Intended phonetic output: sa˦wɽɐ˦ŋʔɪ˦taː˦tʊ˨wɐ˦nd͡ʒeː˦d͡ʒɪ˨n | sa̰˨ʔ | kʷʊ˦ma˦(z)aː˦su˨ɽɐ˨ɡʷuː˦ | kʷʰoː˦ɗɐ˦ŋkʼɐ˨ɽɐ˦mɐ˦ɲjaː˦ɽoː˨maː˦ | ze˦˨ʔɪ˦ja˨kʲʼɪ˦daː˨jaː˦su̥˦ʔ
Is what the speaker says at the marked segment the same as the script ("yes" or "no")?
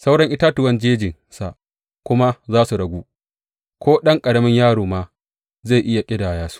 yes